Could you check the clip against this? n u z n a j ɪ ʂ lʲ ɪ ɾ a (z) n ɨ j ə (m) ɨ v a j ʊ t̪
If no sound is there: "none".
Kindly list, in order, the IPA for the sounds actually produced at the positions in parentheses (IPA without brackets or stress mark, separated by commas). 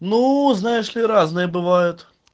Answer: z, b